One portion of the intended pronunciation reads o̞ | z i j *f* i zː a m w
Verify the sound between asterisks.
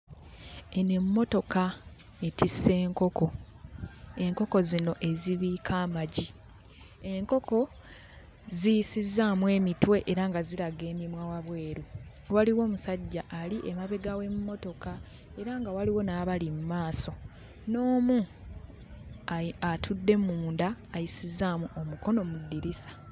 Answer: incorrect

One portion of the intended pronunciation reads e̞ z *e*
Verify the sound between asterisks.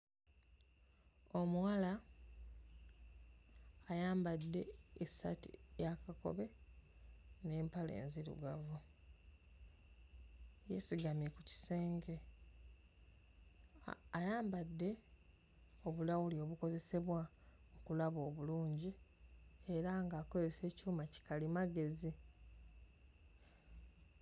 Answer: incorrect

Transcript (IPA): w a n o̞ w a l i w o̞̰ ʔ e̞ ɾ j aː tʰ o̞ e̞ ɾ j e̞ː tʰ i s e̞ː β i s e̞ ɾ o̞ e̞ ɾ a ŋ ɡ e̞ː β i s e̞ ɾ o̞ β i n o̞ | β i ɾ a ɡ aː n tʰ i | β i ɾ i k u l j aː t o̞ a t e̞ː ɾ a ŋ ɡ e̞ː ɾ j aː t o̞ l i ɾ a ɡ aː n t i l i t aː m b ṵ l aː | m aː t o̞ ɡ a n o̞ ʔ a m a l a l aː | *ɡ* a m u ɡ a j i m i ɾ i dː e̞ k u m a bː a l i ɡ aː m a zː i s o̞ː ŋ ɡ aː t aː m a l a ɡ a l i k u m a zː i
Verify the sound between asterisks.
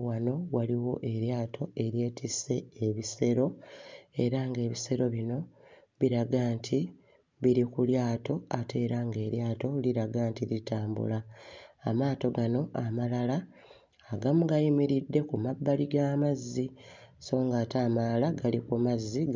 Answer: correct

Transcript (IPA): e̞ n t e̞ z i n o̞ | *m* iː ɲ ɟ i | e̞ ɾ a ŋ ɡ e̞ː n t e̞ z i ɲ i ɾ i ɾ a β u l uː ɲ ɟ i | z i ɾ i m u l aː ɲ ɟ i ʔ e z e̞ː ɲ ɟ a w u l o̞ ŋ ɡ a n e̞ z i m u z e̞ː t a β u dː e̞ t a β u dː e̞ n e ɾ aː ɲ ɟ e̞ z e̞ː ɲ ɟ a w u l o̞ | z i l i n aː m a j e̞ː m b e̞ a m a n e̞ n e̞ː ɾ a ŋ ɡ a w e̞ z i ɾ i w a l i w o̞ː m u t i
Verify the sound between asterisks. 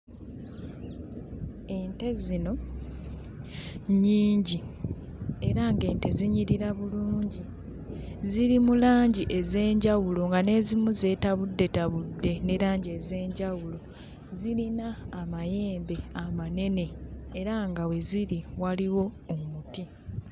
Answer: incorrect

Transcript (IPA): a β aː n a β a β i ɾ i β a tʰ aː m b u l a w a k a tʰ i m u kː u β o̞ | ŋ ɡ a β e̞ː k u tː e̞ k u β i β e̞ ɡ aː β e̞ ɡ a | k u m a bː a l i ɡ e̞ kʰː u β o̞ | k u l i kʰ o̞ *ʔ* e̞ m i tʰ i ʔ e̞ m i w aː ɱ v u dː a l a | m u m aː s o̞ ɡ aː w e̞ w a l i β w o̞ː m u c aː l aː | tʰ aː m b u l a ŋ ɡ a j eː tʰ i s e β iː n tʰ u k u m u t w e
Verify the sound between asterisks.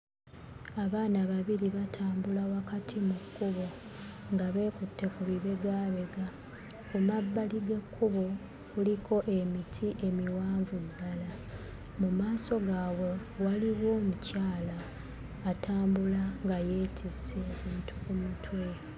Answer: correct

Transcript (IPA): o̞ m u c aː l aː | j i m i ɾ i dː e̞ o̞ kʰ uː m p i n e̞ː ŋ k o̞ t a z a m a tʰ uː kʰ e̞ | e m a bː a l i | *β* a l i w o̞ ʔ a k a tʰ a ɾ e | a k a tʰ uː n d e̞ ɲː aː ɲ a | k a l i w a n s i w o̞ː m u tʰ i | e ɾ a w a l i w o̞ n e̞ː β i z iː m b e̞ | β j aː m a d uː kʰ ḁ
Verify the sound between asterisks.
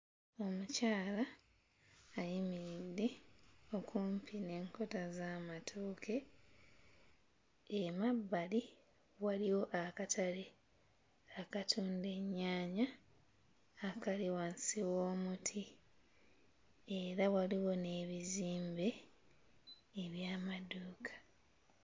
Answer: incorrect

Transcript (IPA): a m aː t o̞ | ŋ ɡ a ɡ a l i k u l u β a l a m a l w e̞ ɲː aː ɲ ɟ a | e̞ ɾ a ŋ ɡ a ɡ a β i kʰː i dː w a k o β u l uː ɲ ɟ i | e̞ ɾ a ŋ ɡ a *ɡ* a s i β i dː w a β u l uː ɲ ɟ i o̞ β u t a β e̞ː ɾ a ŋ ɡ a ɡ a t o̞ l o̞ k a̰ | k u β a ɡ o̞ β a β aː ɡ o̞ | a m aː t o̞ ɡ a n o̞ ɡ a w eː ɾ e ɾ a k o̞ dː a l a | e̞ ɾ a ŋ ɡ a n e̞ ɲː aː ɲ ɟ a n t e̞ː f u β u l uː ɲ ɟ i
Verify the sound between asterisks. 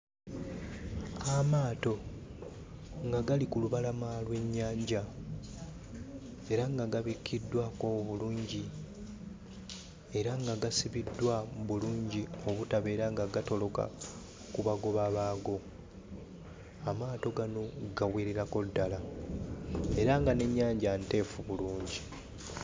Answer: correct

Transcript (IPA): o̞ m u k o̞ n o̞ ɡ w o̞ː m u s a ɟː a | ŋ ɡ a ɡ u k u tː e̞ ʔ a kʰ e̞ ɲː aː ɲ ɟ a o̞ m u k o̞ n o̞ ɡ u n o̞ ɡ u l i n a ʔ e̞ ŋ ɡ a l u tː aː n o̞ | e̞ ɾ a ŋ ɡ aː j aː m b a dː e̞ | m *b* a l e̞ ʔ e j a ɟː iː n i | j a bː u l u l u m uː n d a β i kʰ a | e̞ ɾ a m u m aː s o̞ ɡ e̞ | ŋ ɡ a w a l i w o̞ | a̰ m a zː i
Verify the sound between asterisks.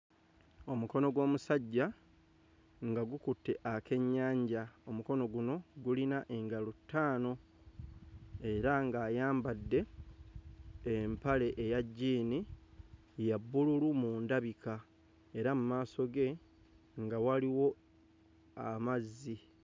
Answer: incorrect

